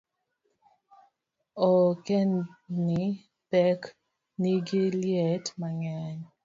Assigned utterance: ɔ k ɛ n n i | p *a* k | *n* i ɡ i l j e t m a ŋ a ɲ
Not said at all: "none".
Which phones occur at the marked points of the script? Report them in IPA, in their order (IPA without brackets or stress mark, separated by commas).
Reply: ɛ, n